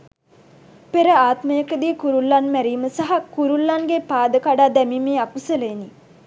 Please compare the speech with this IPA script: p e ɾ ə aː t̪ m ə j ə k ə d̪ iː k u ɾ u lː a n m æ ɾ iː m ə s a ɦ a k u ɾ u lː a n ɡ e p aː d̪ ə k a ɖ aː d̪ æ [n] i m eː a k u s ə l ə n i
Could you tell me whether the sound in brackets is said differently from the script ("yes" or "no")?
yes